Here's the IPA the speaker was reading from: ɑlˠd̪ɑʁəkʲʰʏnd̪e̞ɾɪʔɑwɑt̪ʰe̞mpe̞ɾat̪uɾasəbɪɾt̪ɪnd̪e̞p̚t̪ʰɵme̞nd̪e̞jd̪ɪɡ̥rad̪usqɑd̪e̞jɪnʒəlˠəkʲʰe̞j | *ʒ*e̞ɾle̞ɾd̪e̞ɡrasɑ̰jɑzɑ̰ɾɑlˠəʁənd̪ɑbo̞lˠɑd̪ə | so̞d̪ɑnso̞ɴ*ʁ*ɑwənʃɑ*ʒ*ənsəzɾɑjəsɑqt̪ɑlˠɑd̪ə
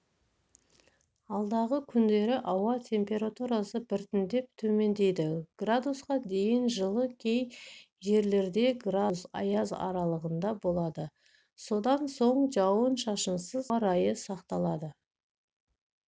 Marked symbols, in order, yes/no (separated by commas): yes, no, no